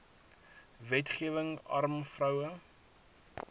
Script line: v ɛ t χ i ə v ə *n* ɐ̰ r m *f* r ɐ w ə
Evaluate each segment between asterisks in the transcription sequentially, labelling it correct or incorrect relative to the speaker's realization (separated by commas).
incorrect, correct